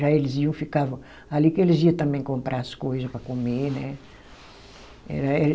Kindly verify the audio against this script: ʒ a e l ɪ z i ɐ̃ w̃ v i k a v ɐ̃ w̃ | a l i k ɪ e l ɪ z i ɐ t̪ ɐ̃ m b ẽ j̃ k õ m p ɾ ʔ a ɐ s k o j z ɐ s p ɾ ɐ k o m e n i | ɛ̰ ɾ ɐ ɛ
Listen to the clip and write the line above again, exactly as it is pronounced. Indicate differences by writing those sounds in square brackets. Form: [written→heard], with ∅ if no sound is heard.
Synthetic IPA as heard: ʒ a e l ɪ z i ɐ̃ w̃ [v→f] i k a v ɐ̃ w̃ | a l i k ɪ e l ɪ z i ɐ t̪ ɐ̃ m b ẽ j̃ k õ m p ɾ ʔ a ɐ s k o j z ɐ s p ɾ ɐ k o m e n [i→ɛ] | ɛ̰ ɾ ɐ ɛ